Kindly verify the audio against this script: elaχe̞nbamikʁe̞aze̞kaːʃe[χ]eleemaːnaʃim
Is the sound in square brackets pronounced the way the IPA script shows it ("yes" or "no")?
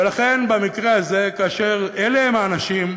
no